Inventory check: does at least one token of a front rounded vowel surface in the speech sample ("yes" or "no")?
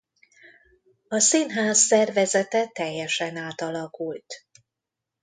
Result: no